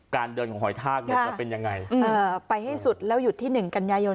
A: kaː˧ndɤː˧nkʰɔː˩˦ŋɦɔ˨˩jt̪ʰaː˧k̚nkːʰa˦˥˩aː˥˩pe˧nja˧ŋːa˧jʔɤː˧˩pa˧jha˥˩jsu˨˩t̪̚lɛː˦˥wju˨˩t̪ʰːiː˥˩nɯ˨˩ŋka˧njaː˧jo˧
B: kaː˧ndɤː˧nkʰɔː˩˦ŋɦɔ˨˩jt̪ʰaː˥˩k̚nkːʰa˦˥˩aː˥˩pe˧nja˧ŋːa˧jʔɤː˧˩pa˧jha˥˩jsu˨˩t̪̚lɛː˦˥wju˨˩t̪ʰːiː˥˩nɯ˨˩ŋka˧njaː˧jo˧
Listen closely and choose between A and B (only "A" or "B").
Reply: B